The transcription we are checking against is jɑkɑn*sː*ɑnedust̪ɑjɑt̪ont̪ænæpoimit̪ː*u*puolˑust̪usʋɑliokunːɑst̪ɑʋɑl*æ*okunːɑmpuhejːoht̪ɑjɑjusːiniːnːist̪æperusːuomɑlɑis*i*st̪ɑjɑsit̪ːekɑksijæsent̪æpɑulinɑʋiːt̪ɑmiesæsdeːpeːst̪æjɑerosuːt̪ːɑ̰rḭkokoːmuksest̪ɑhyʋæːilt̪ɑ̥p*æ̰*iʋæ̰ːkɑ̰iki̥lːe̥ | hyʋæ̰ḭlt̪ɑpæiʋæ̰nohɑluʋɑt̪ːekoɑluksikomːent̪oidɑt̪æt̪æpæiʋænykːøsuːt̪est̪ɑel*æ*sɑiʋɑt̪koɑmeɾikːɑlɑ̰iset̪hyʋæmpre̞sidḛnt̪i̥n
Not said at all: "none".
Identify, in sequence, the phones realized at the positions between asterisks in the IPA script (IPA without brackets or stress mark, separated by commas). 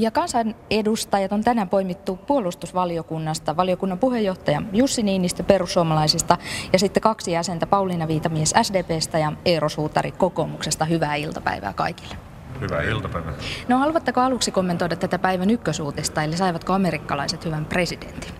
s, u, i, i, æ̰, i